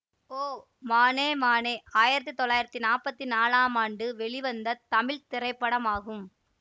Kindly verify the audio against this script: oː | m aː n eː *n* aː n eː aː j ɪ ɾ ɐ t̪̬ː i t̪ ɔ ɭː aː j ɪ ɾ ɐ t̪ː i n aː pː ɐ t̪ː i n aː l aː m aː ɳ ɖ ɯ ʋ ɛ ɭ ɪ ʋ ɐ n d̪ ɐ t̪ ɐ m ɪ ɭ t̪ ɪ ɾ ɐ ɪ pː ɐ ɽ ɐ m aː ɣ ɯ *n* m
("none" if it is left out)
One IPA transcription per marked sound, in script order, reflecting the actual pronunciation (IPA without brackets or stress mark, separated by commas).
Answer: m, none